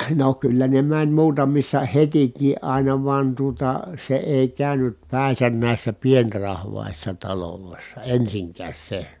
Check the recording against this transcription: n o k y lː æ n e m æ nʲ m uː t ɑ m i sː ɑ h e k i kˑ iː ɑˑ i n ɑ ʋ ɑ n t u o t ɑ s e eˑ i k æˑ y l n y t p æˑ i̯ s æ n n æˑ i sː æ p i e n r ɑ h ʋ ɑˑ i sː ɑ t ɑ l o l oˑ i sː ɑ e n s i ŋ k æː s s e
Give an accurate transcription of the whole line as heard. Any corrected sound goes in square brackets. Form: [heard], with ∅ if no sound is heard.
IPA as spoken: n o k y lː æ n e m æ nʲ m uː t ɑ m i sː ɑ h e [t] i kˑ iː ɑˑ i n ɑ ʋ ɑ n t u o t ɑ s e eˑ i k æˑ y [∅] n y t p æˑ i̯ s æ n n æˑ i sː æ p i e n r ɑ h ʋ ɑˑ i sː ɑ t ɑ l o l oˑ i sː ɑ e n s i ŋ k æː s s e